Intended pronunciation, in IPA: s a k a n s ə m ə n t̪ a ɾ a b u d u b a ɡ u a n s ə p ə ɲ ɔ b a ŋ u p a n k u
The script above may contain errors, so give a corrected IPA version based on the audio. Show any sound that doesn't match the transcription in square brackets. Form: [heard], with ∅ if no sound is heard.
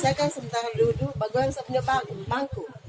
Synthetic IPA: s a k a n s ə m ə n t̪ a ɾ a [d] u d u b a ɡ u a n s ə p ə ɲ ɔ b a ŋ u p a [ŋ] k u